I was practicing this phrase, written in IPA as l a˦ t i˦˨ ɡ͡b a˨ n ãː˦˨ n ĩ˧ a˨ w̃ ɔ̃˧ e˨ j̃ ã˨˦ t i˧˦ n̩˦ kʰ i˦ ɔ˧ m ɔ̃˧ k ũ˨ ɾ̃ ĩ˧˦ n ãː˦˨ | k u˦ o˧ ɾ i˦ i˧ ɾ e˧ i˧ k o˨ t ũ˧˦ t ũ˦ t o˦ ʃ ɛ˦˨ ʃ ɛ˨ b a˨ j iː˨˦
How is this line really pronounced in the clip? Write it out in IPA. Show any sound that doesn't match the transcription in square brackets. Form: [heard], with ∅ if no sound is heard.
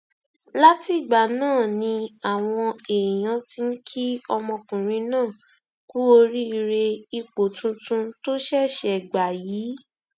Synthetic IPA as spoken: l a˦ t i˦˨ ɡ͡b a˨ n ãː˦˨ n ĩ˧ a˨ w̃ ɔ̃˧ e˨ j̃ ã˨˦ t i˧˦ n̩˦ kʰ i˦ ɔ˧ m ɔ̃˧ k ũ˨ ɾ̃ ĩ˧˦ n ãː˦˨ | k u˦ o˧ ɾ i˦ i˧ ɾ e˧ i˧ [k͡p] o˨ t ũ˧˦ t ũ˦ t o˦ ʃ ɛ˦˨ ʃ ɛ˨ [ɡ͡b] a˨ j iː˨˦

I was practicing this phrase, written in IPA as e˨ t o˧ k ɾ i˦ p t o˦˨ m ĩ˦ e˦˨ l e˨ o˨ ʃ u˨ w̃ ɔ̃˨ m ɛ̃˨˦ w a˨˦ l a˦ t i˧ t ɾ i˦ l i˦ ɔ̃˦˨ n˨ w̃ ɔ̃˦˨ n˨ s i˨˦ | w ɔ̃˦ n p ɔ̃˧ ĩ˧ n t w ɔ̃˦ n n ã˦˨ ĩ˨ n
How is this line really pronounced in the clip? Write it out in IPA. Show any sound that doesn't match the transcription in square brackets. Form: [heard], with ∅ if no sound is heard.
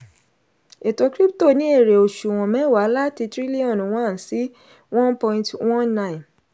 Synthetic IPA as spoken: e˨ t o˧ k ɾ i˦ p t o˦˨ [n] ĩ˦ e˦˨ [ɾ] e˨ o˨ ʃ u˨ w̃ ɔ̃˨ m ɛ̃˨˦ w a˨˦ l a˦ t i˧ t ɾ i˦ l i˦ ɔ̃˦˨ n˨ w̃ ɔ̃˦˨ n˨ s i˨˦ | w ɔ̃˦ n p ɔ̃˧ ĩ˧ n t w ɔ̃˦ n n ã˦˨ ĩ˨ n

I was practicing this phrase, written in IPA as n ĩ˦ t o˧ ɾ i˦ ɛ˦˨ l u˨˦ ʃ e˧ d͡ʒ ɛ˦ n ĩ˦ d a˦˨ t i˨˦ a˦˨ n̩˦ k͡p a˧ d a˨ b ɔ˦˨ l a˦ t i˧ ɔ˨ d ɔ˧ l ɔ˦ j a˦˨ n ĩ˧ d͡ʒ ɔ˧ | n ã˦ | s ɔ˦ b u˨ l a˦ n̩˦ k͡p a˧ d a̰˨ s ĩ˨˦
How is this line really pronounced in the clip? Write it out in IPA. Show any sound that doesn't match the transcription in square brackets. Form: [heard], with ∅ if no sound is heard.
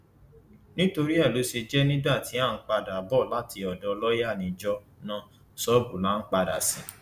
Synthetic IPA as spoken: n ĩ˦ t o˧ ɾ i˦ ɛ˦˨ l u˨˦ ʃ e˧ d͡ʒ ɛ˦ n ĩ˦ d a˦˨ t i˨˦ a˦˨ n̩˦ k͡p a˧ d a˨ b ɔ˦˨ l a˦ t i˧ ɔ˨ d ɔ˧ l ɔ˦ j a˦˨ n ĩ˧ d͡ʒ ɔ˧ | n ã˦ | s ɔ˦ b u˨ l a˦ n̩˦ k͡p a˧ d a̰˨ s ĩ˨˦

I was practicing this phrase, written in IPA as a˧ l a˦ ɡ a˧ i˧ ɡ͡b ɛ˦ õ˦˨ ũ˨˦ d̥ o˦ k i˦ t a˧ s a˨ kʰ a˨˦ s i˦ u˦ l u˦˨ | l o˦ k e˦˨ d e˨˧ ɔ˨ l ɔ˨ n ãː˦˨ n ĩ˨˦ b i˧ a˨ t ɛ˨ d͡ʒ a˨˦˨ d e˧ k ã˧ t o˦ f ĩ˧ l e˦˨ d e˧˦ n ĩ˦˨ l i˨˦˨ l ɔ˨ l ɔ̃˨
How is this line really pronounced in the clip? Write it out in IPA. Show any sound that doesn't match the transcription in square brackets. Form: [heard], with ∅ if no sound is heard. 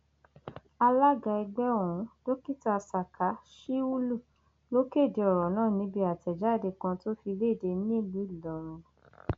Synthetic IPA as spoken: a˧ l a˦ ɡ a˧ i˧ ɡ͡b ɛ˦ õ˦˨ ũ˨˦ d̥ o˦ k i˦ t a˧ s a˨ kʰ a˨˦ [ʃ] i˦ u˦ l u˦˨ | l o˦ k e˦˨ d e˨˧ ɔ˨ [ɾ] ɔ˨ n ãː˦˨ n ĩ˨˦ b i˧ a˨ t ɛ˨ d͡ʒ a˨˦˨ d e˧ k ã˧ t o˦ f [i˧] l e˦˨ d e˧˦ n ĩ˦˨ l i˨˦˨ l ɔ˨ [ɾ] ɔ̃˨

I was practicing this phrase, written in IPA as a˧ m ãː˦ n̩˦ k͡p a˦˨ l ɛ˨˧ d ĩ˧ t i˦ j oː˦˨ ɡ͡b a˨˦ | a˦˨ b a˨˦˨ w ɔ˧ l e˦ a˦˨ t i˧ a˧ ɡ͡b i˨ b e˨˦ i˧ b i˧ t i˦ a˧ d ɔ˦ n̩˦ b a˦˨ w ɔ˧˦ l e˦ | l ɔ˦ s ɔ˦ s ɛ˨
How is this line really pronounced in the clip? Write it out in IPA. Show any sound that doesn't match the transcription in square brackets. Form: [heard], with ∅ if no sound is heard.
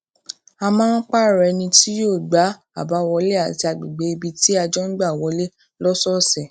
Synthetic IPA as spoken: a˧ m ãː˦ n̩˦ k͡p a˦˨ [ɾ] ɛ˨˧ [n] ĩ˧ t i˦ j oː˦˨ ɡ͡b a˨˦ | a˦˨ b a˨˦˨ w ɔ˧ l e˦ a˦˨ t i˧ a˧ ɡ͡b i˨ [ɡ͡b] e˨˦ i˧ b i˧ t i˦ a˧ [d͡ʒ] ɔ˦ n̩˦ [ɡ͡b] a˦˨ w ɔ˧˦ l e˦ | l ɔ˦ s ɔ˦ s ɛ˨

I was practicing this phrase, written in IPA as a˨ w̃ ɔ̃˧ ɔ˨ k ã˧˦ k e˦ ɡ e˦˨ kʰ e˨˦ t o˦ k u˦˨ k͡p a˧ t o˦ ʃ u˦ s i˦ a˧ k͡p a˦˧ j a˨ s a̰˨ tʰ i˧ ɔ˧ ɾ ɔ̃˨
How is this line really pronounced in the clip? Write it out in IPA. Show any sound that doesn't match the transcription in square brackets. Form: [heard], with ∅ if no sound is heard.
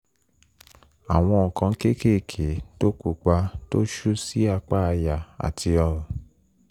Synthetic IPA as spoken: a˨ w̃ ɔ̃˧ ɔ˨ k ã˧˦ k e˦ [k] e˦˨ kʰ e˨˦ t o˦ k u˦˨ k͡p a˧ t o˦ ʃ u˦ s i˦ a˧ k͡p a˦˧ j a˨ [∅] a̰˨ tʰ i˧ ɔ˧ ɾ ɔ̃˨

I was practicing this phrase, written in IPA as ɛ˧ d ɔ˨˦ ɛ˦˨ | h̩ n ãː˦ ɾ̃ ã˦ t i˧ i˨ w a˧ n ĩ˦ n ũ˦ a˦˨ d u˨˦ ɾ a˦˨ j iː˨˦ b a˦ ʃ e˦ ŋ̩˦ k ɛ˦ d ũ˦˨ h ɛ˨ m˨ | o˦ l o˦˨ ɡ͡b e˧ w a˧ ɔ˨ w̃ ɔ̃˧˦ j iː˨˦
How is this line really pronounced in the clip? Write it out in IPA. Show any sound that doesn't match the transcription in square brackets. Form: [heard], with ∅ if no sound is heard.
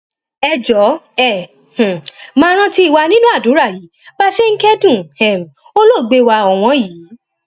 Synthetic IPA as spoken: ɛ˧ [d͡ʒ] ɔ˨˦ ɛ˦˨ | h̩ [m] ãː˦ ɾ̃ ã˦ t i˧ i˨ w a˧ n ĩ˦ n ũ˦ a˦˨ d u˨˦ ɾ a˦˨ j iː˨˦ b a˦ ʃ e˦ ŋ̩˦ k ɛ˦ d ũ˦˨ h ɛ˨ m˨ | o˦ l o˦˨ ɡ͡b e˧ w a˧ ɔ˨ w̃ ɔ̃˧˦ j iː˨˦

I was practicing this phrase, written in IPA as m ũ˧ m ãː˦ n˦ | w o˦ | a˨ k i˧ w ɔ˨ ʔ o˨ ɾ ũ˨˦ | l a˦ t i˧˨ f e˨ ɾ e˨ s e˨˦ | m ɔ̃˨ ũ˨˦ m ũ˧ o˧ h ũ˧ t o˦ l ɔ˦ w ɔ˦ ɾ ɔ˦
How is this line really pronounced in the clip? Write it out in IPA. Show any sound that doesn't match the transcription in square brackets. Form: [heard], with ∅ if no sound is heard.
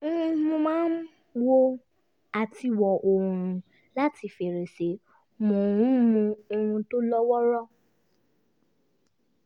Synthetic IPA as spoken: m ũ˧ m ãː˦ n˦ | w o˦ | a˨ [t] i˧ w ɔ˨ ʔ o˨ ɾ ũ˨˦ | l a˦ t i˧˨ f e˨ ɾ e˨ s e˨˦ | m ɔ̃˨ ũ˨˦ m ũ˧ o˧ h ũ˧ t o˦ l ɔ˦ w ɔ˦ ɾ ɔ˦

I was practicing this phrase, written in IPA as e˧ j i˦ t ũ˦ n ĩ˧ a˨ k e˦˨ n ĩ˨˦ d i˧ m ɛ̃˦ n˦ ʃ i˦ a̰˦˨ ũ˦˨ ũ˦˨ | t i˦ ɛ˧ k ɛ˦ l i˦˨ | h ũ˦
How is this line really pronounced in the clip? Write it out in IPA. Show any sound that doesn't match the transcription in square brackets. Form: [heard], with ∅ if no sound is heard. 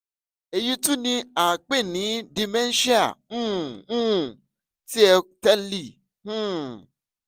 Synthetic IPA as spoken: e˧ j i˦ t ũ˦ n ĩ˧ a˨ [k͡p] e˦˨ n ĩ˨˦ d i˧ m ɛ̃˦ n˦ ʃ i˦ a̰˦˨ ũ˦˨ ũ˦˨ | t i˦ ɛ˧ [t] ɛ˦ l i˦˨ | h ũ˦

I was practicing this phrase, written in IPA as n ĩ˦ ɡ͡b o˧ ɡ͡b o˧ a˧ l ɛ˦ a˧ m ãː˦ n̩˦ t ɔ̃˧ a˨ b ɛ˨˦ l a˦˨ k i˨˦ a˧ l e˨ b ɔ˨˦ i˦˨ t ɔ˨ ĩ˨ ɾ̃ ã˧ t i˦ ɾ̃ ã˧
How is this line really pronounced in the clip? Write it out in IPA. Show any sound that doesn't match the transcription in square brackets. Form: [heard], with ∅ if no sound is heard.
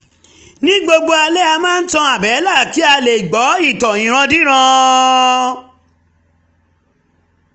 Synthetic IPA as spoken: n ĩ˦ ɡ͡b o˧ ɡ͡b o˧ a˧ l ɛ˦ a˧ m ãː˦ n̩˦ t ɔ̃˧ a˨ b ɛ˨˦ l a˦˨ k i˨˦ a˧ l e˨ [ɡ͡b] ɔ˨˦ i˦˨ t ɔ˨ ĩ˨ ɾ̃ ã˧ [d] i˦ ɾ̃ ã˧

